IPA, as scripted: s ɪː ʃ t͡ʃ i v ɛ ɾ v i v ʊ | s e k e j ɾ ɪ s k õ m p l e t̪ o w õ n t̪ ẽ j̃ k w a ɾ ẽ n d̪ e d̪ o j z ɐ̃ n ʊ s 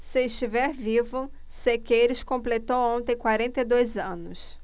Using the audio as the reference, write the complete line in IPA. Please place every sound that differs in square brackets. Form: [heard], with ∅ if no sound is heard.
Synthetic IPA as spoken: s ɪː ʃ t͡ʃ i v ɛ ɾ v i v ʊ | s e k e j ɾ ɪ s k õ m p l e t̪ o w õ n t̪ ẽ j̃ k w a ɾ ẽ n [t̪] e d̪ o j z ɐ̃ n ʊ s